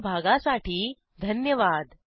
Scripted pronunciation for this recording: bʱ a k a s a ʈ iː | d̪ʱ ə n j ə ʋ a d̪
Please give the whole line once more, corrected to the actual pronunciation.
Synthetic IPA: bʱ a ɡ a s a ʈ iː | d̪ʱ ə n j ə ʋ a d̪

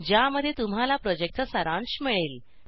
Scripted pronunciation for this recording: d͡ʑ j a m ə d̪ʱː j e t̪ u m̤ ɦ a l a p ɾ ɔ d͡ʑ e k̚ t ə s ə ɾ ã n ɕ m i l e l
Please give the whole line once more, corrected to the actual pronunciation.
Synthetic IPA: d͡ʑ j a m ə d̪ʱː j e t̪ u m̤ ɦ a l a p ɾ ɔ d͡ʑ e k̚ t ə s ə ɾ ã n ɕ m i ɭ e l

